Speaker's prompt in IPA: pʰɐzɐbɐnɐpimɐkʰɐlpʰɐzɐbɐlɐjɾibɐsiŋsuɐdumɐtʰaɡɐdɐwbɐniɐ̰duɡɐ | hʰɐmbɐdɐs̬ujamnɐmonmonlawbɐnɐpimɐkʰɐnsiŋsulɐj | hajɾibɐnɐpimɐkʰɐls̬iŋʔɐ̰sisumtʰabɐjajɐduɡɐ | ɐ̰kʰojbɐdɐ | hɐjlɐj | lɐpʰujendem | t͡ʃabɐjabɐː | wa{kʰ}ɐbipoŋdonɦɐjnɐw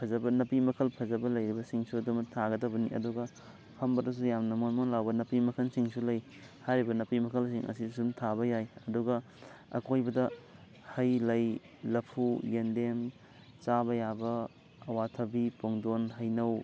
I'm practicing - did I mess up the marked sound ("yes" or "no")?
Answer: yes